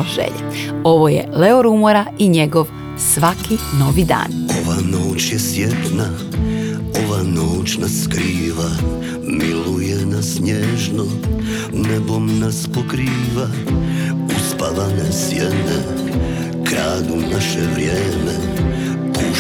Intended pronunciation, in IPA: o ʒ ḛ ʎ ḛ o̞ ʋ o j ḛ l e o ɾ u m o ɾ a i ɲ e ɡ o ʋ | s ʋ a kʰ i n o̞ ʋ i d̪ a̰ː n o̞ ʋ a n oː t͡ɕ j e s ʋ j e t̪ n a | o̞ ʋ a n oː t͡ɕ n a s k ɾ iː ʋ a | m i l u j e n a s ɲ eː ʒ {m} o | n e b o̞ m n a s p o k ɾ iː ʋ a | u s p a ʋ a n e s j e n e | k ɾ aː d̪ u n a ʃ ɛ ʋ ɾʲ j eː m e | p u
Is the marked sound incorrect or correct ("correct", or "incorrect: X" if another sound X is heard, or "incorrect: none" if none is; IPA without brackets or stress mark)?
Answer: incorrect: n